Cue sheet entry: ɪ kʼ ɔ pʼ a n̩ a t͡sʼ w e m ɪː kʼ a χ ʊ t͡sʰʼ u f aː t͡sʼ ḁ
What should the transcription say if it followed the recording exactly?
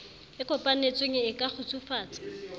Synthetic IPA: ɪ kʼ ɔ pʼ a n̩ e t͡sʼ w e ŋ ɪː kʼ a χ ʊ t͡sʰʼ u f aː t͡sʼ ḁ